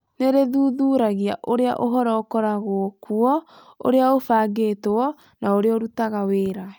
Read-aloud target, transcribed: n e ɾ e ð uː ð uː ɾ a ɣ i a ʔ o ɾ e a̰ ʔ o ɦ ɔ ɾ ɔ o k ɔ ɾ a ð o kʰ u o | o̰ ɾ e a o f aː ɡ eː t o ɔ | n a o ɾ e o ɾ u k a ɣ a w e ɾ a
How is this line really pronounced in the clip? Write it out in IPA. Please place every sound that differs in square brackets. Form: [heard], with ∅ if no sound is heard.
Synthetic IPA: n e ɾ e ð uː ð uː ɾ a ɣ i a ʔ o ɾ e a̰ ʔ o ɦ ɔ ɾ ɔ o k ɔ ɾ a [ɣ] o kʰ u [ɔ] | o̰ ɾ e a o f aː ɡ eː t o ɔ | n a o ɾ e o ɾ u [t] a ɣ a w e ɾ a